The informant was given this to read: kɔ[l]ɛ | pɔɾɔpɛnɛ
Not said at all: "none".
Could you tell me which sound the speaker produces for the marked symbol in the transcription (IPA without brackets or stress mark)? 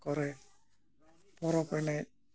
ɾ